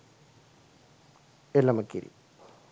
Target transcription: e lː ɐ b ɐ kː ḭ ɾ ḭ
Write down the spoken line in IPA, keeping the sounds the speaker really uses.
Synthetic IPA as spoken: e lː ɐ m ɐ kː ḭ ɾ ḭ